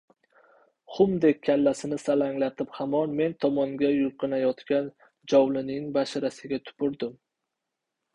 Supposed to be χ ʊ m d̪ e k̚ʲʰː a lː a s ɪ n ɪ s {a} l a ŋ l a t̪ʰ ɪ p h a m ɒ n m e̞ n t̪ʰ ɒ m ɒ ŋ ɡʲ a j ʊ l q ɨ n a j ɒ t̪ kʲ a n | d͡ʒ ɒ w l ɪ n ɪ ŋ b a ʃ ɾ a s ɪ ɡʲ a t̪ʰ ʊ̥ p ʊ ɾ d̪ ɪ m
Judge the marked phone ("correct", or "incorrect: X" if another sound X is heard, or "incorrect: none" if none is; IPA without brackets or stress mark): correct